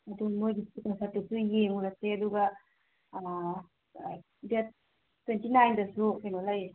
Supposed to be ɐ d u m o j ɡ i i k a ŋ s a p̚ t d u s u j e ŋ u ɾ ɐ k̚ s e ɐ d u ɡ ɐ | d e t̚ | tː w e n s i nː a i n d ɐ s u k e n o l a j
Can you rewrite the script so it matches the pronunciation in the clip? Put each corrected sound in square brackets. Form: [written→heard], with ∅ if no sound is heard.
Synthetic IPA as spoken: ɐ d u m o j ɡ i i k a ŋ s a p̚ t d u s u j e ŋ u ɾ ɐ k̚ s e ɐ d u ɡ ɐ | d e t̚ | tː w e n [s→t] i [nː→n] a [i→j] n d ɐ s u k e n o l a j

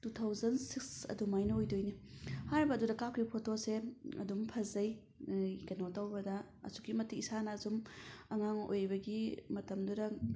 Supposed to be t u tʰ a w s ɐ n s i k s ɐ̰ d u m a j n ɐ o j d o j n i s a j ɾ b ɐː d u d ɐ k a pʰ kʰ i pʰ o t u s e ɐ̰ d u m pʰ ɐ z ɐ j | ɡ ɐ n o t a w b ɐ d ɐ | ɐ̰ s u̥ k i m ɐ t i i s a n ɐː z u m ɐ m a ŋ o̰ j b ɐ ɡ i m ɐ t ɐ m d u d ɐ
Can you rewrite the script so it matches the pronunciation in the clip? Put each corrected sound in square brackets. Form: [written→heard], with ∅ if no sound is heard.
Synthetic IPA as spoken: t u tʰ a w [s→z] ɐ n s i k s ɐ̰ d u m a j n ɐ o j d o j n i [s→h] a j ɾ b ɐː d u d ɐ k a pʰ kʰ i pʰ o t [u→o] s e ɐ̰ d u m pʰ ɐ z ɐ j | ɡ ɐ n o t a w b ɐ d ɐ | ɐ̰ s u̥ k i m ɐ t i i s a n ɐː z u m ɐ [m→ŋ] a ŋ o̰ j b ɐ ɡ i m ɐ t ɐ m d u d ɐ

